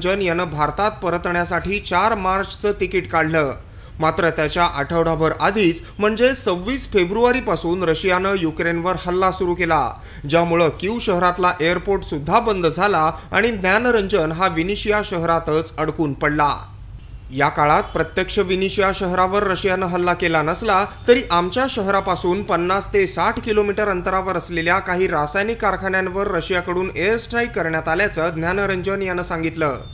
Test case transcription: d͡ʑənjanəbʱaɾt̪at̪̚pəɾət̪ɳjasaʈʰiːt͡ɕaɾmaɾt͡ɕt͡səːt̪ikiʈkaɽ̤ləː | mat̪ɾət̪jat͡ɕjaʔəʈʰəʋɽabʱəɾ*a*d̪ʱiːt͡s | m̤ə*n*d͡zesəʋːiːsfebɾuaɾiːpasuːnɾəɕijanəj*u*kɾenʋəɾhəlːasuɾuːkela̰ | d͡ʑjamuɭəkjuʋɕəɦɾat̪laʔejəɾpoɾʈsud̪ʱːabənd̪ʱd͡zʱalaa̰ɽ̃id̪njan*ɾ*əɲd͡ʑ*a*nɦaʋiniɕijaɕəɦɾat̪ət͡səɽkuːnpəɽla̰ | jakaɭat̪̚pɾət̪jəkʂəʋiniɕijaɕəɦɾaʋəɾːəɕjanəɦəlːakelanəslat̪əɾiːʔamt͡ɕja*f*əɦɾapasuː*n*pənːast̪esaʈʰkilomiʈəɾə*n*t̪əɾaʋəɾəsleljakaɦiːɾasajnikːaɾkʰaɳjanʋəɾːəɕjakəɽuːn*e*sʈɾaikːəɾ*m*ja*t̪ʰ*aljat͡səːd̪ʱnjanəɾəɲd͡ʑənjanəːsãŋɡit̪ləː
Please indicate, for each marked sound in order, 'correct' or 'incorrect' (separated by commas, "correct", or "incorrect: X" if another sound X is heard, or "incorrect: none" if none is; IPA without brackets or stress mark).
correct, incorrect: ɳ, correct, correct, incorrect: ə, incorrect: ɕ, correct, correct, correct, incorrect: ɳ, incorrect: t̪